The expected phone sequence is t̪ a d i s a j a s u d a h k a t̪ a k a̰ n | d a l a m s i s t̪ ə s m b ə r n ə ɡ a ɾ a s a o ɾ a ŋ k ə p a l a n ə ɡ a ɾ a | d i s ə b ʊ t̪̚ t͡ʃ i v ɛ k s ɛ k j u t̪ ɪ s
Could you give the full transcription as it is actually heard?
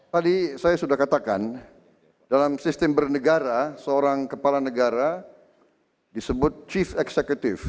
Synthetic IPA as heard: t̪ a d i s a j a s u d a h k a t̪ a k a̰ n | d a l a m s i s t̪ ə m b ə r n ə ɡ a ɾ a s ə o ɾ a ŋ k ə p a l a n ə ɡ a ɾ a | d i s ə b ʊ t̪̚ t͡ʃ i f ɛ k s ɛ k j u t̪ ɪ f